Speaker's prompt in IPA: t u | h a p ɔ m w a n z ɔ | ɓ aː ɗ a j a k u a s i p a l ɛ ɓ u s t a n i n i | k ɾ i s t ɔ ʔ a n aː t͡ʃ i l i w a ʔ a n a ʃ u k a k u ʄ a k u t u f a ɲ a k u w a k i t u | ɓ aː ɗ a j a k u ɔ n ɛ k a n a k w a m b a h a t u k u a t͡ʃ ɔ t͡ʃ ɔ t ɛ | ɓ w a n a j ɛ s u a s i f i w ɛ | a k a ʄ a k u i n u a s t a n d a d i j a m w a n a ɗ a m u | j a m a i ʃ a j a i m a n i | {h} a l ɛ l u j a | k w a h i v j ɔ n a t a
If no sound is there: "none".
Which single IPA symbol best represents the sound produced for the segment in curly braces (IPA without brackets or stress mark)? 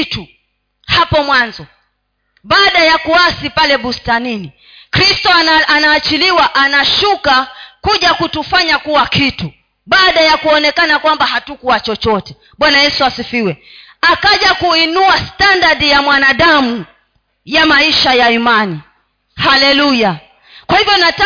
h